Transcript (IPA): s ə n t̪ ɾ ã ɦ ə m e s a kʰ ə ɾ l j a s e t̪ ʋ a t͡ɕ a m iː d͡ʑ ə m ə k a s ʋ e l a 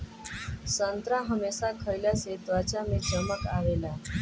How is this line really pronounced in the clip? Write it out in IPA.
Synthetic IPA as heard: s ə n t̪ ɾ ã ɦ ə m e s a kʰ ə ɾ l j a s e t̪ ʋ a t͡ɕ a m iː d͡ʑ ə m ə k a ʋ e l a

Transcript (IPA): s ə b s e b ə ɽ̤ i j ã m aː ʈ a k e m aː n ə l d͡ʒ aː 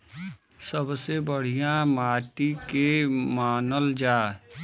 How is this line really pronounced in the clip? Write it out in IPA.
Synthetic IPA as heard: s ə b s e b ə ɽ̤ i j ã m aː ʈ i k e m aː n ə l d͡ʒ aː

